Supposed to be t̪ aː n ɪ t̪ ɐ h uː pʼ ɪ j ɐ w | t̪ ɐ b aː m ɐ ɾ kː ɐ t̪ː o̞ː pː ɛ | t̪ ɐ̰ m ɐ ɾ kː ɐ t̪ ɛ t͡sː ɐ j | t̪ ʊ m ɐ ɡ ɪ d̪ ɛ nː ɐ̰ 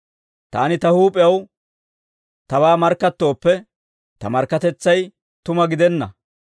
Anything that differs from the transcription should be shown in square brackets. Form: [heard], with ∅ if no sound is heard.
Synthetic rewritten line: t̪ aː n ɪ t̪ ɐ h uː pʼ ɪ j ɐ w | t̪ ɐ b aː m ɐ ɾ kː ɐ t̪ː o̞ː pː ɛ | t̪ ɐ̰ m ɐ ɾ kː ɐ t̪ ɛ t͡sː ɐ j | t̪ ʊ m ɐ ɡ ɪ d̪ ɛ nː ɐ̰

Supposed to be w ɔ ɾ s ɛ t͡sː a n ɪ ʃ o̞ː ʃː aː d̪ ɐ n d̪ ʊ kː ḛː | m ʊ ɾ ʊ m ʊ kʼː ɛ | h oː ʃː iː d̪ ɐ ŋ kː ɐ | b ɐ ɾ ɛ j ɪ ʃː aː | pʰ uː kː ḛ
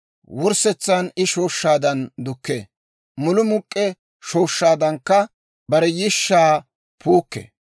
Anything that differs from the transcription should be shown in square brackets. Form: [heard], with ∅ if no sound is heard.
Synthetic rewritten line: w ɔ ɾ s ɛ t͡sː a n ɪ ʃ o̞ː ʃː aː d̪ ɐ n d̪ ʊ kː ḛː | m ʊ [l] ʊ m ʊ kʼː ɛ | [ʃ] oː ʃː [aː] d̪ ɐ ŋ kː ɐ | b ɐ ɾ ɛ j ɪ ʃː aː | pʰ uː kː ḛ

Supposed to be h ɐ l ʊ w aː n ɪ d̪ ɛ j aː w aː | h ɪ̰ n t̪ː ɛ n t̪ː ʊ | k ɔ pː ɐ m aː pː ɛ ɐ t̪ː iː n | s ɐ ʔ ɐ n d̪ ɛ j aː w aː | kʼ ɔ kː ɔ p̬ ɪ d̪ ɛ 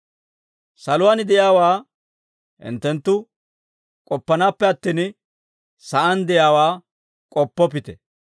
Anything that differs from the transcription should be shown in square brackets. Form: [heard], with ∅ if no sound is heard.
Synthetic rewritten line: [s] ɐ l ʊ w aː n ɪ d̪ ɛ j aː w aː | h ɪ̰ n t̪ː ɛ n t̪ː ʊ | [kʼ] ɔ pː ɐ [n] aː pː ɛ ɐ t̪ː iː n | s ɐ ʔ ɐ n d̪ ɛ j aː w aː | kʼ ɔ [pː] ɔ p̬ ɪ [t̪] ɛ

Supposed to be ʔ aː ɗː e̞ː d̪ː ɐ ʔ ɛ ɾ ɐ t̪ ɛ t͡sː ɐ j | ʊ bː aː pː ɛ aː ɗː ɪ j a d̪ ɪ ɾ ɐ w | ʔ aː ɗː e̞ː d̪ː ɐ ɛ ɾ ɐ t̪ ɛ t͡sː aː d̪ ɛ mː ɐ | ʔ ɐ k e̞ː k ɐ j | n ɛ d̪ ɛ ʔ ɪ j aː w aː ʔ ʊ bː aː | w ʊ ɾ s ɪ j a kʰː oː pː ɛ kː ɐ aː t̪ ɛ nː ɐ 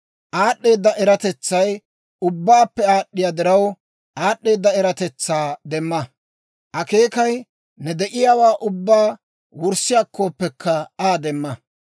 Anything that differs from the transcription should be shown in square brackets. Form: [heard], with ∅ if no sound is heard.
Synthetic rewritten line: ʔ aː ɗː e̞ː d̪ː ɐ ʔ ɛ ɾ ɐ t̪ ɛ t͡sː ɐ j | ʊ bː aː pː ɛ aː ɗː ɪ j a d̪ ɪ ɾ ɐ w | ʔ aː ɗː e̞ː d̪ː ɐ ɛ ɾ ɐ t̪ ɛ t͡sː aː d̪ ɛ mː ɐ | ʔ ɐ k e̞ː k ɐ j | n ɛ d̪ ɛ ʔ ɪ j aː w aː ʔ ʊ bː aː | w ʊ ɾ s ɪ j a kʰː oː pː ɛ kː ɐ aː [d̪] ɛ [mː] ɐ

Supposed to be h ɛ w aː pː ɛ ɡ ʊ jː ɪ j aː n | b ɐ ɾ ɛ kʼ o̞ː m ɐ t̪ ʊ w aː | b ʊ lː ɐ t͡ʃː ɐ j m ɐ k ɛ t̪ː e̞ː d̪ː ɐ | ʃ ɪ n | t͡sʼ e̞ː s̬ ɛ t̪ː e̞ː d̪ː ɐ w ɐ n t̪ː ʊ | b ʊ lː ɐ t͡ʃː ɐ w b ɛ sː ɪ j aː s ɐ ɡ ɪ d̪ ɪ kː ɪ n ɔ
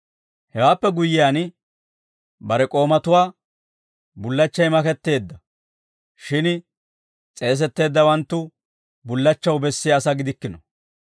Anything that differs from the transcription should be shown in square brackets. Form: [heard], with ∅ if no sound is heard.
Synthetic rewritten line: h ɛ w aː pː ɛ ɡ ʊ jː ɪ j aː n | b ɐ ɾ ɛ kʼ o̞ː m ɐ t̪ ʊ w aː | b ʊ lː ɐ t͡ʃː ɐ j m ɐ k ɛ t̪ː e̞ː d̪ː ɐ | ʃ ɪ n | t͡sʼ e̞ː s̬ ɛ t̪ː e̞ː d̪ː ɐ w ɐ n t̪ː ʊ | b ʊ lː ɐ t͡ʃː ɐ w b ɛ sː ɪ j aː s ɐ ɡ ɪ d̪ ɪ kː ɪ n ɔ

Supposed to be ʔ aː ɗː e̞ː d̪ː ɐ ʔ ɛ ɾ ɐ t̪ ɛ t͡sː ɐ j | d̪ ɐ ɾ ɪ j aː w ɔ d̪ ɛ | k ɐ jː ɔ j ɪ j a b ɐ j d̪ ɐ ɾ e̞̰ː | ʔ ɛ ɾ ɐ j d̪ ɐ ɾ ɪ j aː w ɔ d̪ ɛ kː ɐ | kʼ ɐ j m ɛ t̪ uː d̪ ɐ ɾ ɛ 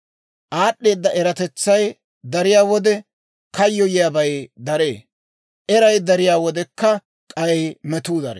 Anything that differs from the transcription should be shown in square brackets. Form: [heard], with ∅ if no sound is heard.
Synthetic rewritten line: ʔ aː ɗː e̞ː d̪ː ɐ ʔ ɛ ɾ ɐ t̪ ɛ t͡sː ɐ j | d̪ ɐ ɾ ɪ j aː w ɔ d̪ ɛ | k ɐ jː ɔ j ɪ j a b ɐ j d̪ ɐ ɾ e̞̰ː | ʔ ɛ ɾ ɐ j d̪ ɐ ɾ ɪ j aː w ɔ d̪ ɛ kː ɐ | kʼ ɐ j m ɛ t̪ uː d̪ ɐ ɾ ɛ

